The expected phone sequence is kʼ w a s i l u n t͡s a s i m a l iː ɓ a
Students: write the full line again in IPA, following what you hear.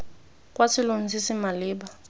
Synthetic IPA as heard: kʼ w a s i l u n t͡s i s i m a l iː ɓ a